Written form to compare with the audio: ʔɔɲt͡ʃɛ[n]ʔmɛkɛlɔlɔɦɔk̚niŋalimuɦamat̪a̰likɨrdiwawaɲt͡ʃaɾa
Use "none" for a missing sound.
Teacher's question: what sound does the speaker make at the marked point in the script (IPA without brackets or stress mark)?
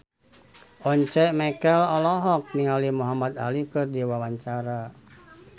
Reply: none